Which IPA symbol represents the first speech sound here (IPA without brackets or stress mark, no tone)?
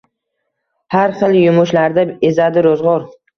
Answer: h